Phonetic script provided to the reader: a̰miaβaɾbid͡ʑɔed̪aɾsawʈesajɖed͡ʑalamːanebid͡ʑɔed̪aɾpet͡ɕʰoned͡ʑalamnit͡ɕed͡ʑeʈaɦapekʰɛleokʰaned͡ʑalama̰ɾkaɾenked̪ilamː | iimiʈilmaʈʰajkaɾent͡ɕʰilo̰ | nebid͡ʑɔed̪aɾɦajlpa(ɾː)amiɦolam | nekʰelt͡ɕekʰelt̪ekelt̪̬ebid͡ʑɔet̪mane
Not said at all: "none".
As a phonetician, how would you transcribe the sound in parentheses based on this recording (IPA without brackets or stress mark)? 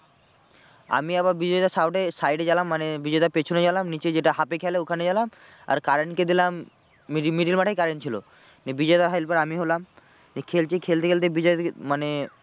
ɾ